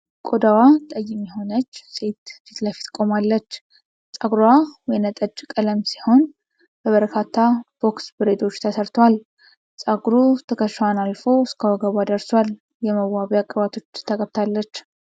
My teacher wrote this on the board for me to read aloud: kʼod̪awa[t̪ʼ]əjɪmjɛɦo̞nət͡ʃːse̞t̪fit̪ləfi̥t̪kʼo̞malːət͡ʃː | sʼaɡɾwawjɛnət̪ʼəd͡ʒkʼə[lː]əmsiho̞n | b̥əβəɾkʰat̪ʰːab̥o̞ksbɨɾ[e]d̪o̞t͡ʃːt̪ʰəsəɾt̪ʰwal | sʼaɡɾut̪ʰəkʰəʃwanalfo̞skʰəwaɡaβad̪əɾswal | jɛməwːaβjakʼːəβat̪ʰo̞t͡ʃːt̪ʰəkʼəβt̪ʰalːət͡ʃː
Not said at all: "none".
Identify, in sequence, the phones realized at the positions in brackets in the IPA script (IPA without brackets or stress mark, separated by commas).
t̪ʼ, l, e